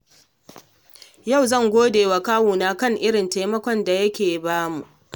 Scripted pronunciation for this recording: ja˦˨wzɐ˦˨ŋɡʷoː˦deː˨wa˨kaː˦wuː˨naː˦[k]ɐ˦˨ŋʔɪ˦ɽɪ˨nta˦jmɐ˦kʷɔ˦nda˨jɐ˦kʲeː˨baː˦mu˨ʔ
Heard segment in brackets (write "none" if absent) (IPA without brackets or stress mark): k